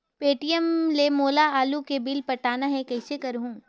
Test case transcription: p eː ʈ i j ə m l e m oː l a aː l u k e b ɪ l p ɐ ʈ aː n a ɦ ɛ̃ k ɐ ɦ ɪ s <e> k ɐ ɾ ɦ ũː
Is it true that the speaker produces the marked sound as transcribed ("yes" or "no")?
yes